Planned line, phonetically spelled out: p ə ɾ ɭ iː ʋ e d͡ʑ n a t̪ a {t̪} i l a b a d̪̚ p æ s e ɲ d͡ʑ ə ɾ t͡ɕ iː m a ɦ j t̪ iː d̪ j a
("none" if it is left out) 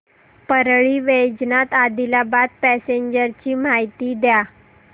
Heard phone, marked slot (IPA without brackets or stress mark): d̪